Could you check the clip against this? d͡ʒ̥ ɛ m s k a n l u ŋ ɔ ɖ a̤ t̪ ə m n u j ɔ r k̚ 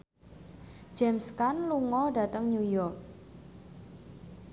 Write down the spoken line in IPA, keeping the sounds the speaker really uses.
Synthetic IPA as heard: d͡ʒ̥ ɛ m s k a n l u ŋ ɔ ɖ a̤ t̪ ə ŋ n u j ɔ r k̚